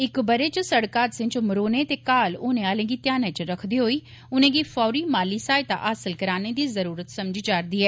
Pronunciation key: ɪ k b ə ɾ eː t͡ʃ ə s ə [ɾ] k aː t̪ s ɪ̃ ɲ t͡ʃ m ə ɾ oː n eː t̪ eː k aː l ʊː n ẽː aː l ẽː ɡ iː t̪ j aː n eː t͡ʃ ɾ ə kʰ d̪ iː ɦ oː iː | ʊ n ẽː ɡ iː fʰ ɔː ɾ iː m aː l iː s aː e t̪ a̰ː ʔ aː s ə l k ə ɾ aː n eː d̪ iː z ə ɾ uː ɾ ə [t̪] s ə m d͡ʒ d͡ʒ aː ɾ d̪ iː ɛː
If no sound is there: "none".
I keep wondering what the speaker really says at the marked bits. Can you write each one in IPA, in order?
ɽ, t̪

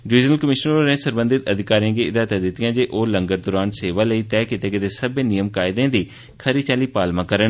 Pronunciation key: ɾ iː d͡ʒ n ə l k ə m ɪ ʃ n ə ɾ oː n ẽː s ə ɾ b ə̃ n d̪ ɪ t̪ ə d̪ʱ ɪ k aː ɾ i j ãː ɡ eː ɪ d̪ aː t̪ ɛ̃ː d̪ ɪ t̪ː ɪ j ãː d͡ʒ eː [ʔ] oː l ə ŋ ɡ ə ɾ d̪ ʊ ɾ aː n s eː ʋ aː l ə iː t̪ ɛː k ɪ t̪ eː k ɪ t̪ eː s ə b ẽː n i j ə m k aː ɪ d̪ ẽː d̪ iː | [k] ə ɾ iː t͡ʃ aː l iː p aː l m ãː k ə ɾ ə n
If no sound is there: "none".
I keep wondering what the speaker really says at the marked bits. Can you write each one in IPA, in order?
ʔ, kʰ

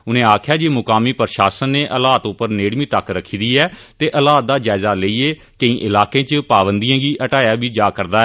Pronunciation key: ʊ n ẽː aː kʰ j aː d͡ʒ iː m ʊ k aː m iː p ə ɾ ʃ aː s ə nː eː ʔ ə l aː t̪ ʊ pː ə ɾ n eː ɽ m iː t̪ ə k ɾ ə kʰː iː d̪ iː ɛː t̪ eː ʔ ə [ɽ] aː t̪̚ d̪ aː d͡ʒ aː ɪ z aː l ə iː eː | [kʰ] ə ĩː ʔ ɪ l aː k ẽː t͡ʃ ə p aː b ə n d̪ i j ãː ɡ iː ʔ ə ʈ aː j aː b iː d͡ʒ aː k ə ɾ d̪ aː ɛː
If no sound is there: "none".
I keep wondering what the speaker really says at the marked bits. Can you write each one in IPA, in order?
l, k

